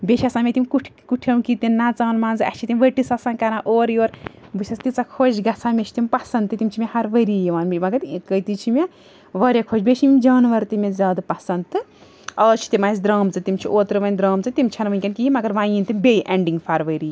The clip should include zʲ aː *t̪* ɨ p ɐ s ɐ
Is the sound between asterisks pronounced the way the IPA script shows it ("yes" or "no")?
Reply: no